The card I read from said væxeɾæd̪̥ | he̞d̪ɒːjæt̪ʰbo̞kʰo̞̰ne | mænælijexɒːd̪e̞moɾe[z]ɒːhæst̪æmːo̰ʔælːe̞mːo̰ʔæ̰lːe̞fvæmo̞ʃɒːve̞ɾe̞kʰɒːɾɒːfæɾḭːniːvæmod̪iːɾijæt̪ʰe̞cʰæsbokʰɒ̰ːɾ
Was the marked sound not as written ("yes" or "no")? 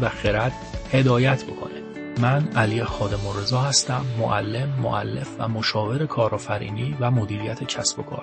no